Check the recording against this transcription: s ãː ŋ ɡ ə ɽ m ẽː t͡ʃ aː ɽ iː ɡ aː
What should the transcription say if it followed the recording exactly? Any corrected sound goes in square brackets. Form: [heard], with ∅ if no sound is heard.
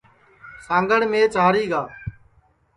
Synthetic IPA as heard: s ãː ŋ ɡ ə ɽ m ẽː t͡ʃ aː [ɾ] iː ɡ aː